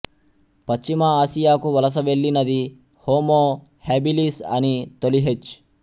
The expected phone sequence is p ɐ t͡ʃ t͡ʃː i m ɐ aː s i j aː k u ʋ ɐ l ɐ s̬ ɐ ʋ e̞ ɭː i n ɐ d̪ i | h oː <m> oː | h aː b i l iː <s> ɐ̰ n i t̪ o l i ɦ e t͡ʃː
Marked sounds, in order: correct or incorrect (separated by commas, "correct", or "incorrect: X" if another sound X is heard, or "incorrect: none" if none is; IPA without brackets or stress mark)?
correct, correct